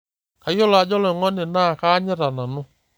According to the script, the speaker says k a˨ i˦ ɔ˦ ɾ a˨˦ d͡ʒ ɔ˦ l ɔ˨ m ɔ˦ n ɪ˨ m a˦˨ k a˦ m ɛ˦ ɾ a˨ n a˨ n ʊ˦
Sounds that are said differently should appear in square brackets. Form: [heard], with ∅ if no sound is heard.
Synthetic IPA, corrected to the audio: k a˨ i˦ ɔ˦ [l] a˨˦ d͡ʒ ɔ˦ l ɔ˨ [ŋ] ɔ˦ n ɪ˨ [n] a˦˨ k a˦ [ɲ] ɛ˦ ɾ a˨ n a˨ n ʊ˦